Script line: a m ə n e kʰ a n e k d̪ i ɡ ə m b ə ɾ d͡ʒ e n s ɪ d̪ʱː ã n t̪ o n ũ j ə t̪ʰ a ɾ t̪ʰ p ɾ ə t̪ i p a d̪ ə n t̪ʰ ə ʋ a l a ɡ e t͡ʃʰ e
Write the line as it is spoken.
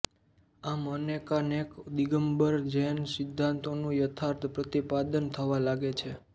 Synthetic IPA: a m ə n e k a n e k d̪ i ɡ ə m b ə ɾ d͡ʒ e n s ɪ d̪ʱː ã n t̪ o n ũ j ə t̪ʰ a ɾ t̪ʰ p ɾ ə t̪ i p a d̪ ə n t̪ʰ ə ʋ a l a ɡ e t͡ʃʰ e